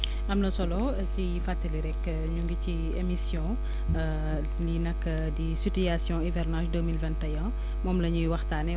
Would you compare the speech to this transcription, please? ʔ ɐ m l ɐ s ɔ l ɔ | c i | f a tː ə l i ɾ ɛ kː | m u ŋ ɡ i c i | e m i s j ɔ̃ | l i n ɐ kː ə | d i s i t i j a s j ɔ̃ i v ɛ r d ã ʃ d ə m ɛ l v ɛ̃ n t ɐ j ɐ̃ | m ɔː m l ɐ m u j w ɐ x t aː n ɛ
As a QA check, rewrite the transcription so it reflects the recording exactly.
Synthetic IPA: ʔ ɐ m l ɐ s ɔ l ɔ | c i | f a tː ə l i ɾ ɛ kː | ɲ u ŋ ɡ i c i | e m i s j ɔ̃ | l i n ɐ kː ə | d i s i t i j a s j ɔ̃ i v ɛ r n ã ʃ d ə m i l v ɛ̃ n t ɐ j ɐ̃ | m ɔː m l ɐ ɲ u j w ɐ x t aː n ɛ